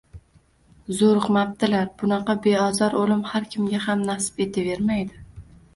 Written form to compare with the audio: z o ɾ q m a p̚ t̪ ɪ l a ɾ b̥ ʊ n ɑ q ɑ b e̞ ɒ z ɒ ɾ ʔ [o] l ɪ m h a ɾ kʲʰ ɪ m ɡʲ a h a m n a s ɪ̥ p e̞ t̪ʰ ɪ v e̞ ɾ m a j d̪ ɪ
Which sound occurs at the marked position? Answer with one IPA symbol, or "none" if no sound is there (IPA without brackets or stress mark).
o